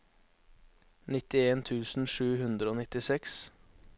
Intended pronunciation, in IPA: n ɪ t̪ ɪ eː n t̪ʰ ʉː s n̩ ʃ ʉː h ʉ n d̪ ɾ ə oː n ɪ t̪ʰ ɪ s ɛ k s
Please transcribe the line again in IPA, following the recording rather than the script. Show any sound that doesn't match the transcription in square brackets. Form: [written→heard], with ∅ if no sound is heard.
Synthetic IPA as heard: n ɪ t̪ ɪ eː n t̪ʰ ʉː s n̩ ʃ ʉː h ʉ n d̪ ɾ ə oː n ɪ [t̪ʰ→t̪] ɪ s ɛ k s